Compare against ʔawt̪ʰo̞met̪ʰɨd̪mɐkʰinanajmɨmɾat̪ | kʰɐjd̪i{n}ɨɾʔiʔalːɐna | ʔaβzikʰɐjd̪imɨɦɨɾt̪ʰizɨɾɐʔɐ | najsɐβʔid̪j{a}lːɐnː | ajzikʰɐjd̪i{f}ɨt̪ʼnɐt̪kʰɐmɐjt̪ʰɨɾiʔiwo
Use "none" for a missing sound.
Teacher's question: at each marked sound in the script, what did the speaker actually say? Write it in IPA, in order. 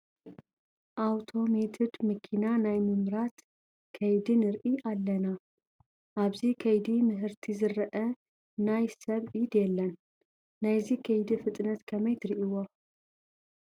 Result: n, ɛ, f

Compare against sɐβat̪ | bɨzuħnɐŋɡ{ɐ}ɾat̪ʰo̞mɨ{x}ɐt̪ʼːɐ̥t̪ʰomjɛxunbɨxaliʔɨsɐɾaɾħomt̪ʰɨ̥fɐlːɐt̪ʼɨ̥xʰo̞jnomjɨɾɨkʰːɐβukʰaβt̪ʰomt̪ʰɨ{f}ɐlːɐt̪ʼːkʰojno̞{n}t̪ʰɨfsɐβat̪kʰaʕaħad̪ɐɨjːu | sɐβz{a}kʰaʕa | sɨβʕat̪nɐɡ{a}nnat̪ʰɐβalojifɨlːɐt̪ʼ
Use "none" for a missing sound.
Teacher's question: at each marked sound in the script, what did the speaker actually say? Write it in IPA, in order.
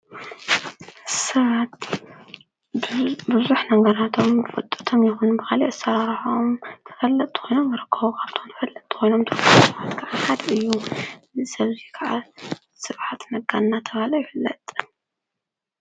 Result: ɐ, f, f, m, i, a

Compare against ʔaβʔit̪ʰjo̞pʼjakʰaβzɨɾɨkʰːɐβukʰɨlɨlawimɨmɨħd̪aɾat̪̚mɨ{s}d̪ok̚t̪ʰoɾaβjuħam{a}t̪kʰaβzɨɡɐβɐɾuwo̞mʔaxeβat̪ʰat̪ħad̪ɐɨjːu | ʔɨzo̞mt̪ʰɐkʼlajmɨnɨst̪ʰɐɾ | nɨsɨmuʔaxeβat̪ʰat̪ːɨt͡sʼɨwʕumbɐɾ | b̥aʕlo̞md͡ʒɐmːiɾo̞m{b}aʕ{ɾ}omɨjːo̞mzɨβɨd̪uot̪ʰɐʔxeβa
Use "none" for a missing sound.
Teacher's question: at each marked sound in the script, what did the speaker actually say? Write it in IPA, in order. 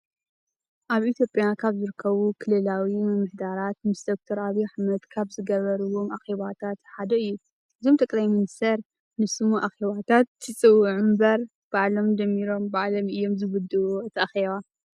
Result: s, ɐ, b, l

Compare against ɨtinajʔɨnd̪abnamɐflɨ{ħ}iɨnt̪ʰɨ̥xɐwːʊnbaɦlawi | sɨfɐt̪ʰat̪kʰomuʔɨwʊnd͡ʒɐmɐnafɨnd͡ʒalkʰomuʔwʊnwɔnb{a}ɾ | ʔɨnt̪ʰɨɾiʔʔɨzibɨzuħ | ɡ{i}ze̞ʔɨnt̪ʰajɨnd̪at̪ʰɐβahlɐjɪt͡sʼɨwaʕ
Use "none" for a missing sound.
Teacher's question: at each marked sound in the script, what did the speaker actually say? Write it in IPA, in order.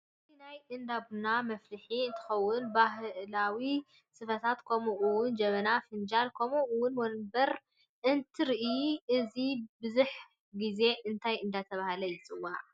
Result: ħ, ɐ, i

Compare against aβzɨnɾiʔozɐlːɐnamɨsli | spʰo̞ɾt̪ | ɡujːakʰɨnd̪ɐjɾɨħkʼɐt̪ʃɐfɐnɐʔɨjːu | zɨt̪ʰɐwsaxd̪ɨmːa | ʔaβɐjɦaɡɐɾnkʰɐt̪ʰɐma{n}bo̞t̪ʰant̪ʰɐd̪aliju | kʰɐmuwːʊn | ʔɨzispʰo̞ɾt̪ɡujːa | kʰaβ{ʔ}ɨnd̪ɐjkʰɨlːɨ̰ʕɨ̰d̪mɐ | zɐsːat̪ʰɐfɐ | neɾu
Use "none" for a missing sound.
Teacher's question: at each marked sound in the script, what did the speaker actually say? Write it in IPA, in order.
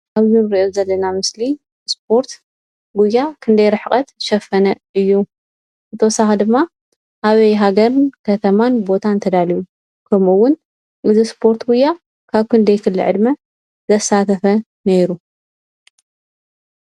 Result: n, k

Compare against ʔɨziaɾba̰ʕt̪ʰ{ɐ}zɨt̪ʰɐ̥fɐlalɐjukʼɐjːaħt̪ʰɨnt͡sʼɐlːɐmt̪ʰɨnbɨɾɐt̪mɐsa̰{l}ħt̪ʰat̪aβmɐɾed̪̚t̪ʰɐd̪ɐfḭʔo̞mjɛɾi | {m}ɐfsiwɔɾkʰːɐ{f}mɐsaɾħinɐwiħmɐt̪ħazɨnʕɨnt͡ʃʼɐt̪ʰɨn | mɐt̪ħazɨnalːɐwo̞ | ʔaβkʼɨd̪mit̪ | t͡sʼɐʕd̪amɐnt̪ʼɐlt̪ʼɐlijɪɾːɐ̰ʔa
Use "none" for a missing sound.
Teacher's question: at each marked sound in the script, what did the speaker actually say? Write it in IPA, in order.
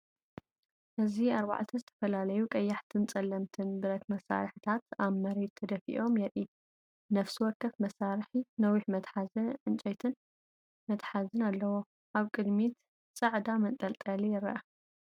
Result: ɐ, ɾ, n, f

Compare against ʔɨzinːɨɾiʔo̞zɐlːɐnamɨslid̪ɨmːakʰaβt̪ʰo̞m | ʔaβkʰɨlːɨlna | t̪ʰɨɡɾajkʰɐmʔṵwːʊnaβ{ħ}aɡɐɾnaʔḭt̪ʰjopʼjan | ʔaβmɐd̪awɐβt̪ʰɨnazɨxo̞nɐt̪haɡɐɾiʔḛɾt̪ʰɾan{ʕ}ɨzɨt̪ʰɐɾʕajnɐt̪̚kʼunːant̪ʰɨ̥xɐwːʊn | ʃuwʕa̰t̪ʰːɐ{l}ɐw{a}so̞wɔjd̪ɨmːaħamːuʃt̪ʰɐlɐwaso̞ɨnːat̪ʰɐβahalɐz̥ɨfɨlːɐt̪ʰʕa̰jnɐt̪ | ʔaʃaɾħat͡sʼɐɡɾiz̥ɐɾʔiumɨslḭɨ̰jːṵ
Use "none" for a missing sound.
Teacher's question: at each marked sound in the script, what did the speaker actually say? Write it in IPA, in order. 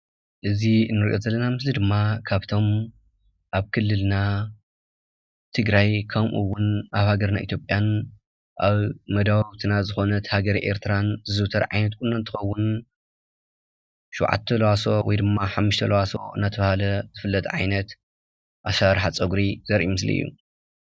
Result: h, z, l, a

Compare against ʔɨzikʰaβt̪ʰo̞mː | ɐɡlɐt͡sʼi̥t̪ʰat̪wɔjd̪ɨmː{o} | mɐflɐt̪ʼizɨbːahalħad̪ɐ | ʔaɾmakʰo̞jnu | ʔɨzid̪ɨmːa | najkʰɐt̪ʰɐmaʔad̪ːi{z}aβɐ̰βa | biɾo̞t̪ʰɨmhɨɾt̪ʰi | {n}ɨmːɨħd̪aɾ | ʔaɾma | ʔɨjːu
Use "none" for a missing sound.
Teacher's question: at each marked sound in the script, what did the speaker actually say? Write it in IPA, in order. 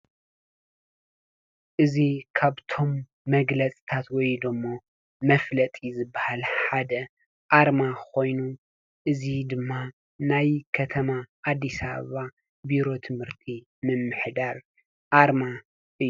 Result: o, s, m

